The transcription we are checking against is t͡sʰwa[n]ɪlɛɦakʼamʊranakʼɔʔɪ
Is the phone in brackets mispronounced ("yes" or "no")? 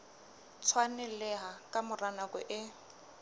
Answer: no